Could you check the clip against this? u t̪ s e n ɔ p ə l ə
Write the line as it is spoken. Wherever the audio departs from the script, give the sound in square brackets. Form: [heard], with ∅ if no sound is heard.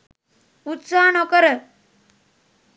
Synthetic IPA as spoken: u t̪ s [a] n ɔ [k] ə [ɾ] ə

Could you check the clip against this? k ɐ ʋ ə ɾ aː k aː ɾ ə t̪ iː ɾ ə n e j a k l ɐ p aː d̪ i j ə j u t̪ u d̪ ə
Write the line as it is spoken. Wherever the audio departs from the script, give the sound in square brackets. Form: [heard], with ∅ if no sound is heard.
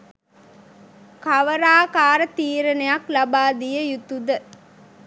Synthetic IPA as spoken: k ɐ ʋ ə ɾ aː k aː ɾ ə t̪ iː ɾ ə n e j a k l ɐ [b] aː d̪ i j ə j u t̪ u d̪ ə

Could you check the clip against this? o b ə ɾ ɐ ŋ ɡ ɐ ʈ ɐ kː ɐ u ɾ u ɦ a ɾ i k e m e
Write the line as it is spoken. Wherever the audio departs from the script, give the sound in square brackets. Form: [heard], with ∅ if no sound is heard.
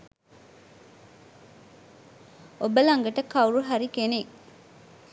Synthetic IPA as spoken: o b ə [l] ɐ ŋ ɡ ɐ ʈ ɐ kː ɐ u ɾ u ɦ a ɾ i k e [n] e

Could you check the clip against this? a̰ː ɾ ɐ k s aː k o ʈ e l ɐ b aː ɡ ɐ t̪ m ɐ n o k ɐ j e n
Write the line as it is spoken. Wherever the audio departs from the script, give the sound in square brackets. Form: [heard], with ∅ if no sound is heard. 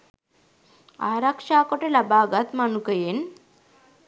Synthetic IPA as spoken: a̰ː ɾ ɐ k [ʂ] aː k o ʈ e l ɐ b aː ɡ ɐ t̪ m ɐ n [u] k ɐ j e n

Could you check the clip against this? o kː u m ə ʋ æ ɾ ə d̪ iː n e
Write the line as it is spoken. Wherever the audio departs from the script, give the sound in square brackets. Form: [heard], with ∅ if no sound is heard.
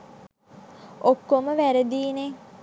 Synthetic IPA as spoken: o kː [o] m ə ʋ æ ɾ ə d̪ iː n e

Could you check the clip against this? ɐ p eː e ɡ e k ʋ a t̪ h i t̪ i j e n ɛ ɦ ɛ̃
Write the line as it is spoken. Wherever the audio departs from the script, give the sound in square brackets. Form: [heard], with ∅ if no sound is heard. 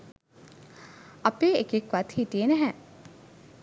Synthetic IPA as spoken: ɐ p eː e [k] e k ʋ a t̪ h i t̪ i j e n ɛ ɦ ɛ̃

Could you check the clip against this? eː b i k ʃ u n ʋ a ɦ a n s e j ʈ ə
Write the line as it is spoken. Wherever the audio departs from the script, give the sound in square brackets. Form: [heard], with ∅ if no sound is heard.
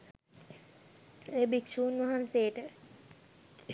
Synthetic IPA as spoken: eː b i k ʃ [uː] n ʋ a ɦ a n s e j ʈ ə

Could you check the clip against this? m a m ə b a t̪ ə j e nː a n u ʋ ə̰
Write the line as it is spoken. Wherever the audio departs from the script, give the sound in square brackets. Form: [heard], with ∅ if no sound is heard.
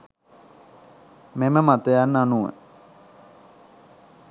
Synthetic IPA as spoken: m [e] m ə [m] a t̪ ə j [a] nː a n u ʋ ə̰

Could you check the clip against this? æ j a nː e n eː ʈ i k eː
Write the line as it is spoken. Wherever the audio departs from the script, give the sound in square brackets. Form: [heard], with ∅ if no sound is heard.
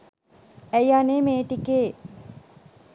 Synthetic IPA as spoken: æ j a [n] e [m] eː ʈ i k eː

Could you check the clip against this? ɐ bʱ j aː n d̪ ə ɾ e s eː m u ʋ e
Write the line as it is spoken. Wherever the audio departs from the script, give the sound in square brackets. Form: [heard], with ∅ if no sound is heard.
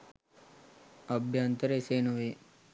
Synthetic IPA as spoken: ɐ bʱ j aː n [t̪] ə ɾ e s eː [n] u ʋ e

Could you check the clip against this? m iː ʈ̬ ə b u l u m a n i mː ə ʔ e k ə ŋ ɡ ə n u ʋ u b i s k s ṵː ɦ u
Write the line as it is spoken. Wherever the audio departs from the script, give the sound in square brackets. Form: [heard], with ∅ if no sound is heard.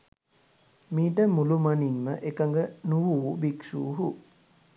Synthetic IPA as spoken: m iː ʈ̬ ə [m] u l u m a n i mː ə ʔ e k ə ŋ ɡ ə n u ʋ [uː] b i [∅] k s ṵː ɦ u

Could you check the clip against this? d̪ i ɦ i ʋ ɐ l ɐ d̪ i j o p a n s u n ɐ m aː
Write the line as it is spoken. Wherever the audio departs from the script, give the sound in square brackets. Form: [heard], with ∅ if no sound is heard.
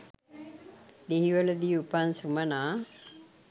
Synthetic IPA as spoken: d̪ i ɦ i ʋ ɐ l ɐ d̪ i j [u] p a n s u [m] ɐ [n] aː

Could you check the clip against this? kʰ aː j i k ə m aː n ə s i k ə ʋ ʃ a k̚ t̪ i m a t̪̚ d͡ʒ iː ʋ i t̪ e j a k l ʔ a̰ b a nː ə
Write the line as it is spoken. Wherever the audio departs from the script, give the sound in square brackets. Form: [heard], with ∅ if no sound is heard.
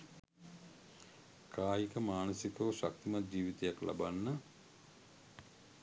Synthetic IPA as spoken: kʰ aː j i k ə m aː n ə s i k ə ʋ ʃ a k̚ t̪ i m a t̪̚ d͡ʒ iː ʋ i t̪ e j a k l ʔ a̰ b a nː ə

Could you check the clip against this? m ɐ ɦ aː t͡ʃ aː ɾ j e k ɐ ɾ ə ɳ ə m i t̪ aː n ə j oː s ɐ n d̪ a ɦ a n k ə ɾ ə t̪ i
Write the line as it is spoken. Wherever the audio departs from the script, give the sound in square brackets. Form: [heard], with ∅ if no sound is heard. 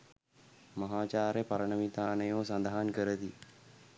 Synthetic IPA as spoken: m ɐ ɦ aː t͡ʃ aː ɾ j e [p] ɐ ɾ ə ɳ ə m i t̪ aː n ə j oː s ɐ n d̪ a ɦ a n k ə ɾ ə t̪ i

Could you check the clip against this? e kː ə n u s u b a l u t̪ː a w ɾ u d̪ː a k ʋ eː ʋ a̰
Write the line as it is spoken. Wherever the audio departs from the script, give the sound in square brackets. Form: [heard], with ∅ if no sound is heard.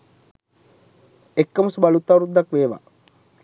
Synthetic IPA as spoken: e kː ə [m] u s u b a l u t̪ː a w ɾ u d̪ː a k ʋ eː ʋ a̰

